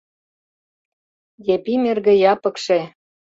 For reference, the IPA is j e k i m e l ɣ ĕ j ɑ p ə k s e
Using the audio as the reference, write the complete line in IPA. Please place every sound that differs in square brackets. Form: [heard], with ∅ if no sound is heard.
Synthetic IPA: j e [p] i m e [r] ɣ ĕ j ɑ p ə k [ʃ] e